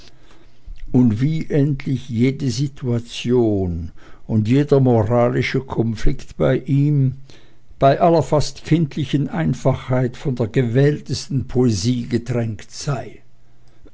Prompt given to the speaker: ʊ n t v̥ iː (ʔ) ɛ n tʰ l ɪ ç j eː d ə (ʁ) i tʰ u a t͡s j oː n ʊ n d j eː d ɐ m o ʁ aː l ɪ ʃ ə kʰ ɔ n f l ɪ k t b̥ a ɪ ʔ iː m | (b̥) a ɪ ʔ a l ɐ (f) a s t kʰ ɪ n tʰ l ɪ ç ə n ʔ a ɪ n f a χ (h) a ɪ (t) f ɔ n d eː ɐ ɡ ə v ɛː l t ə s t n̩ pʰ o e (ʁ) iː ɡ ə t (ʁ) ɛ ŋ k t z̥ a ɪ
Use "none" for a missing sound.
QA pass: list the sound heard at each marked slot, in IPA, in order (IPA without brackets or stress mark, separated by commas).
ʔ, z, b̥, f, h, t, z, ʁ